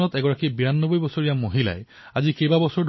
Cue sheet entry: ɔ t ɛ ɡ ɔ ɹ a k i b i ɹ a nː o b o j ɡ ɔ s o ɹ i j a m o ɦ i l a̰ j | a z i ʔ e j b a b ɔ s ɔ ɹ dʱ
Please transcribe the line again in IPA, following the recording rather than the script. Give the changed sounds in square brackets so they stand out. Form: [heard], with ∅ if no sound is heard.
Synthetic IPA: ɔ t ɛ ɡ ɔ ɹ a k i b i ɹ a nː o b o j [b] ɔ s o ɹ i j a m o ɦ i l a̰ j | a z i [k] e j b a b ɔ s ɔ ɹ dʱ